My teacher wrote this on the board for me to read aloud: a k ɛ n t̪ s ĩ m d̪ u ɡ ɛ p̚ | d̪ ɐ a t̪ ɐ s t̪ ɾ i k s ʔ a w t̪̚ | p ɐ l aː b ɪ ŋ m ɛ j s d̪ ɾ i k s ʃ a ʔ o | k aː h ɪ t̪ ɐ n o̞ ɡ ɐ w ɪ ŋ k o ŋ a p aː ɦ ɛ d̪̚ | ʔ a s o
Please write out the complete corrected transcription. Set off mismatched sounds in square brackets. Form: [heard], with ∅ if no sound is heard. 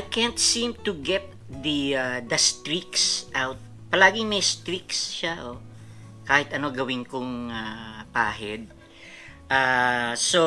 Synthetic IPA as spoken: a k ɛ n t̪ s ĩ m [t̪] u ɡ ɛ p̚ | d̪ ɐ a [d̪] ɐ s t̪ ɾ i k s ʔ a w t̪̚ | p ɐ l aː [ɡ] ɪ ŋ m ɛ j s [t̪] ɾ i k s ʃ a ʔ o | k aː h ɪ t̪ ɐ n o̞ ɡ ɐ w ɪ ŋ k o ŋ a p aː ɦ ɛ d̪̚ | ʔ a s o